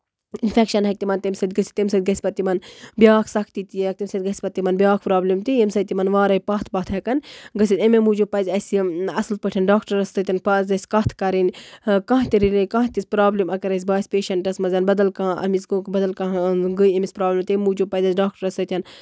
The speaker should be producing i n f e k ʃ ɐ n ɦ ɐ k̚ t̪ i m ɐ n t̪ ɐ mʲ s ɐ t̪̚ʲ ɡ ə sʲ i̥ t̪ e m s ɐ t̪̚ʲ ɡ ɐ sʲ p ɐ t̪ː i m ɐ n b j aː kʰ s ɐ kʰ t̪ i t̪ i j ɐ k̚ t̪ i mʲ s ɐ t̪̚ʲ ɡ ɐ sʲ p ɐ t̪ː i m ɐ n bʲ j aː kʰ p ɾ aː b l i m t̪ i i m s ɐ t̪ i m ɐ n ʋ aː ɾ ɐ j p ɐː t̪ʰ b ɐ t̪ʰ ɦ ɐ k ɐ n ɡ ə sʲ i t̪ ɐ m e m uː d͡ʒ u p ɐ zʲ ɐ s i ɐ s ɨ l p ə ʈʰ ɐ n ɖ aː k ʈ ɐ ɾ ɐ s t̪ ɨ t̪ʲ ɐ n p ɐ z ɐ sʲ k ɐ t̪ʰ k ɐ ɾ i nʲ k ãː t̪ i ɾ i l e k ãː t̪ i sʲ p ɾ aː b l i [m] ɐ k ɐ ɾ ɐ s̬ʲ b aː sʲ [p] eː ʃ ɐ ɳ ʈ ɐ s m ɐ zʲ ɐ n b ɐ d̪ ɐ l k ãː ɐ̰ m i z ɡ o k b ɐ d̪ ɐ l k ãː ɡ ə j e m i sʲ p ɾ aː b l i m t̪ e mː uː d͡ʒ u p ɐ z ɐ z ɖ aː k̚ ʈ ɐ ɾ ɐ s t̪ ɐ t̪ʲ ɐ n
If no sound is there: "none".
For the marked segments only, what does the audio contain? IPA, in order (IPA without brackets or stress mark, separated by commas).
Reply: m, p